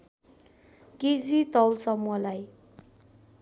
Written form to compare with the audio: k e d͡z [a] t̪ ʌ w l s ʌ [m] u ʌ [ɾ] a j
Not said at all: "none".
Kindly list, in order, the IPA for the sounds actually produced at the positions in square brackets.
i, m, l

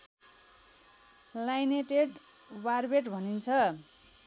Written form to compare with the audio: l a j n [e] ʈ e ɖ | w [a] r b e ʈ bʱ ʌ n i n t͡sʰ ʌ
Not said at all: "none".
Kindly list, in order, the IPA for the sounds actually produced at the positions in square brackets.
e, a

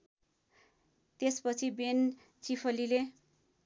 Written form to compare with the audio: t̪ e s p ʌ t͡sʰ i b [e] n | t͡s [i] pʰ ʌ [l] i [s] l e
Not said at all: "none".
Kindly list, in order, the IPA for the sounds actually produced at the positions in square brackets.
e, i, l, none

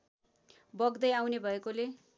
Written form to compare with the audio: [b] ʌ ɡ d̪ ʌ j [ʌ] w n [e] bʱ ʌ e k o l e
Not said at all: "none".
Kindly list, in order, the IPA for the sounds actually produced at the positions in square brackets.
b, a, e

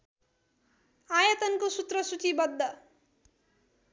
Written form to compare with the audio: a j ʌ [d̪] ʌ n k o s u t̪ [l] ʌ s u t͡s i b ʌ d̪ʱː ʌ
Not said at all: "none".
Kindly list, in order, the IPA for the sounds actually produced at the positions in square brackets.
t̪, r

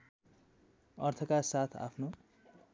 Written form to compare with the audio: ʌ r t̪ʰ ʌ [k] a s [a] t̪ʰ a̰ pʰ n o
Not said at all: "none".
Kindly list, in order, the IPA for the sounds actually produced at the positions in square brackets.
k, a

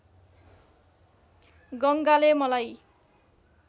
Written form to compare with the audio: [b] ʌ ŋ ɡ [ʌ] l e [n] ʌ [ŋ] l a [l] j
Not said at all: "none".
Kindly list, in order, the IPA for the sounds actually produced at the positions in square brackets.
ɡ, a, m, none, none

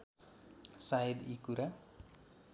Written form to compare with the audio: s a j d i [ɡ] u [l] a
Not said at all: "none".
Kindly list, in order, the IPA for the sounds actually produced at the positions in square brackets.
k, ɾ

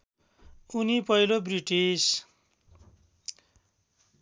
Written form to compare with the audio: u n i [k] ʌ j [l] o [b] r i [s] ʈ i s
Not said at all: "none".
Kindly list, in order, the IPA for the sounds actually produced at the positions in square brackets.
p, l, b, none

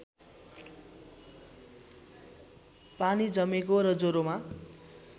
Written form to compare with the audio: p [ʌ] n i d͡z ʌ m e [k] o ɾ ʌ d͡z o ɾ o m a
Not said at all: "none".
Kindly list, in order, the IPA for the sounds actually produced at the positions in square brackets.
a, k

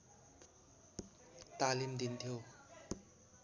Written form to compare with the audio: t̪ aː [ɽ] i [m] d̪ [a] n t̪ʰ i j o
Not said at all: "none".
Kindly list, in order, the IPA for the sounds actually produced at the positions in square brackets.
l, m, i

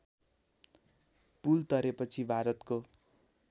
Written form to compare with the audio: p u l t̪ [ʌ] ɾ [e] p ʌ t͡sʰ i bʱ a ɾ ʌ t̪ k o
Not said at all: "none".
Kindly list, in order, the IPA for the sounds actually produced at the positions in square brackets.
ʌ, e

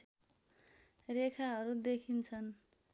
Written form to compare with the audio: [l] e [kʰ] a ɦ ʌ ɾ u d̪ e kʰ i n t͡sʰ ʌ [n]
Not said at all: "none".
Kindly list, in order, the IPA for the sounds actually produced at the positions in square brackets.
r, kʰ, n

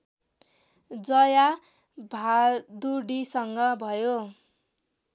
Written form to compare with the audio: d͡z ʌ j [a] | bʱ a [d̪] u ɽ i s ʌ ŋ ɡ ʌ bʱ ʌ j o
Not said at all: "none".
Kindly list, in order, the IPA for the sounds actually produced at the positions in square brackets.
a, d̪

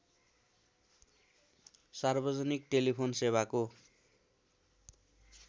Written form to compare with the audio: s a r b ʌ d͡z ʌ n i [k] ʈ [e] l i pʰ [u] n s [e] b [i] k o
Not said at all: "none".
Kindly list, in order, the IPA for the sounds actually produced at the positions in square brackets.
k, e, o, e, a

